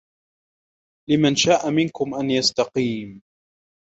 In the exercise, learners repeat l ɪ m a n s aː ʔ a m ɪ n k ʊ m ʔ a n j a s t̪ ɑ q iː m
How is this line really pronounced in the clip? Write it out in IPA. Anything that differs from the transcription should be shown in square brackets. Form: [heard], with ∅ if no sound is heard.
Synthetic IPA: l ɪ m a n [ʃ] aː ʔ a m ɪ n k ʊ m ʔ a n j a s t̪ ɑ q iː m